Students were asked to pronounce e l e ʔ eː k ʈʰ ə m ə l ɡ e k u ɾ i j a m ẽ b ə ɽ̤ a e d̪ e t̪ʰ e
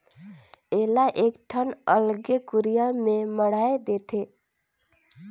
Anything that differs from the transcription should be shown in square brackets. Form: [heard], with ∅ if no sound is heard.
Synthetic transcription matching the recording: e l [a] ʔ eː k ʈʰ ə [n] ə l ɡ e k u ɾ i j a m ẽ [m] ə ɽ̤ a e d̪ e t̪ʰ e